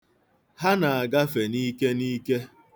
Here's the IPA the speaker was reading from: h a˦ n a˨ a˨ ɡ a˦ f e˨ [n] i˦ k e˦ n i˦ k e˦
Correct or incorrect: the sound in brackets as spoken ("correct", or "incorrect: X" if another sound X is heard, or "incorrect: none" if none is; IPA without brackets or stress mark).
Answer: correct